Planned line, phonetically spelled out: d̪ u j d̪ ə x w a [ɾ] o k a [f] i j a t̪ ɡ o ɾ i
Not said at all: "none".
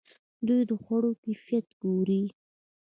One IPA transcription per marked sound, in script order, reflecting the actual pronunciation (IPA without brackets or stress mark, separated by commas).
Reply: ɽ, f